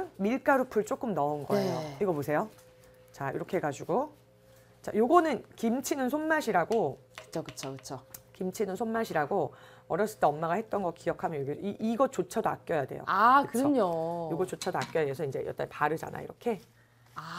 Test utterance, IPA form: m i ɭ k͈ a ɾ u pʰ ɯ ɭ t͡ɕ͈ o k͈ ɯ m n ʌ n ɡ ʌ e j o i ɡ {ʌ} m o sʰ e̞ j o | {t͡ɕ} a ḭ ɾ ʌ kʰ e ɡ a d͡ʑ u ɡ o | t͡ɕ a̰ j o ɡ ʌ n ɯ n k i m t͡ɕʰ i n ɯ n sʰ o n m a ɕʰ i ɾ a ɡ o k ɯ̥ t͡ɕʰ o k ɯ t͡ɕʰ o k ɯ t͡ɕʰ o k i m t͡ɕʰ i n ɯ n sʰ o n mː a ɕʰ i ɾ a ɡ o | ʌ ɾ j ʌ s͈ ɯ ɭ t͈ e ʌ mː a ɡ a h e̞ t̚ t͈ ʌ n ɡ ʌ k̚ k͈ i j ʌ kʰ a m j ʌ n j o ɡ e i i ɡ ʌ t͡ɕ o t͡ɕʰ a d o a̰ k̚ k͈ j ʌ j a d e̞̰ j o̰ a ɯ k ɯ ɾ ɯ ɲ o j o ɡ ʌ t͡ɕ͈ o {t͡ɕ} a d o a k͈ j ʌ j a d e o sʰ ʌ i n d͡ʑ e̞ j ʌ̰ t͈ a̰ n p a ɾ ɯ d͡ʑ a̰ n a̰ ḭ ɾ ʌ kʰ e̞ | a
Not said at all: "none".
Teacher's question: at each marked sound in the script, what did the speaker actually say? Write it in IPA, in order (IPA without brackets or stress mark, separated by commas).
ʌ, t͡ɕ, t͡ɕʰ